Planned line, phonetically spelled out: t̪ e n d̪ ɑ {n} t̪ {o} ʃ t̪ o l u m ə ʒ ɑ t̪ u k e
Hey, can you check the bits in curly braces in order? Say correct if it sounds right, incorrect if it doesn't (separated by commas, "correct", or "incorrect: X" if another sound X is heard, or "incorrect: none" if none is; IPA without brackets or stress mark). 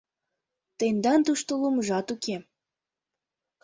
correct, incorrect: u